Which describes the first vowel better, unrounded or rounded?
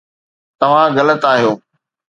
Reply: unrounded